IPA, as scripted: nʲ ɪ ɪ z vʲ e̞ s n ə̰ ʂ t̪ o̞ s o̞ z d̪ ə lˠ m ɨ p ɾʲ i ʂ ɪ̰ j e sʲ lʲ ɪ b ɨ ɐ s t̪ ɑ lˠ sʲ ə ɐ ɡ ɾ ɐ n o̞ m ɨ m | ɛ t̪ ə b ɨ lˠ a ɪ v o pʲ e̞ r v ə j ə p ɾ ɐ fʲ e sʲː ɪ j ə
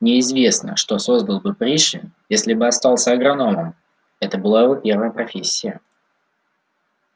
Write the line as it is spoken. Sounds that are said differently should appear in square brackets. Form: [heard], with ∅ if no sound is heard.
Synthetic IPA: nʲ ɪ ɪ z vʲ e̞ s n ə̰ ʂ t̪ o̞ s o̞ z d̪ ə lˠ [b] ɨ p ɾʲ i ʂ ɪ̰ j e sʲ lʲ ɪ b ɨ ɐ s t̪ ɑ lˠ sʲ ə ɐ ɡ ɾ ɐ n o̞ m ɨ m | ɛ t̪ ə b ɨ lˠ a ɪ v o pʲ e̞ r v ə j ə p ɾ ɐ fʲ e sʲː ɪ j ə